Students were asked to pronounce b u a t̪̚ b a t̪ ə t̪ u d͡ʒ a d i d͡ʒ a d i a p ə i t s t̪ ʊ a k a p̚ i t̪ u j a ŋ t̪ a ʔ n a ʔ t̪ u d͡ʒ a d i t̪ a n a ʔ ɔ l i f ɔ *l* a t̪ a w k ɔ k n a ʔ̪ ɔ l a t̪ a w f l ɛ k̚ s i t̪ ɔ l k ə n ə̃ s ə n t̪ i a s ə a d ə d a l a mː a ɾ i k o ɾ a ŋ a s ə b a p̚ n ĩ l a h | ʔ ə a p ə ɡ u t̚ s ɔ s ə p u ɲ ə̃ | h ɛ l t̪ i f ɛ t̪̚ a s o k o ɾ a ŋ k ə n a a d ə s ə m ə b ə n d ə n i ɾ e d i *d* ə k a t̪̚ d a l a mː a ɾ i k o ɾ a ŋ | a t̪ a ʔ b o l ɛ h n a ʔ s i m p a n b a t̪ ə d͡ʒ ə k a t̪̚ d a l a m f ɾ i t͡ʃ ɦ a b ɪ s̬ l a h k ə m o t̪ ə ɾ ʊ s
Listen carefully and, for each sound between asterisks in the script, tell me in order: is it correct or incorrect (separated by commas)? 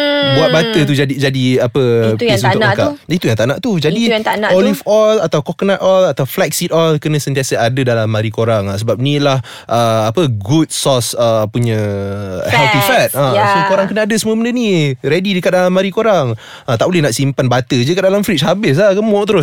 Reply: correct, correct